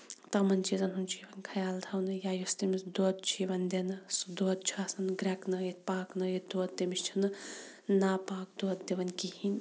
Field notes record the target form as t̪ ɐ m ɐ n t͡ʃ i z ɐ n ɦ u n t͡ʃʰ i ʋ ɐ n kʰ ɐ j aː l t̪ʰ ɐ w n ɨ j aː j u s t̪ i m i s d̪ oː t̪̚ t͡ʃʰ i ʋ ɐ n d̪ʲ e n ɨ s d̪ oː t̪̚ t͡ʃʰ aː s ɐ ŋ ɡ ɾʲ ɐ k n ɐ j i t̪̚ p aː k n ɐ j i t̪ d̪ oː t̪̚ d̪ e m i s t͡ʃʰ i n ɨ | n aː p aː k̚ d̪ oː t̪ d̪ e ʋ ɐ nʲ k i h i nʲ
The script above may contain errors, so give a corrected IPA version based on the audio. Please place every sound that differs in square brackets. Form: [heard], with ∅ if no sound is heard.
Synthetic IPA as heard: t̪ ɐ m ɐ n t͡ʃ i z ɐ n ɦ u n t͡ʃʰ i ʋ ɐ n kʰ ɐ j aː l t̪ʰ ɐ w n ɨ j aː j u s t̪ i m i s d̪ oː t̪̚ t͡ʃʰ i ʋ ɐ n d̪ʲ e n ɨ s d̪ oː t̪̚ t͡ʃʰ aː s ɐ [n] ɡ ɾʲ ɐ k n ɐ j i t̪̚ p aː k n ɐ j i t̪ d̪ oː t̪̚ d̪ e m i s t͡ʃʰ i n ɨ | n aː p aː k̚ d̪ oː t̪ d̪ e ʋ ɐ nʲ k i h i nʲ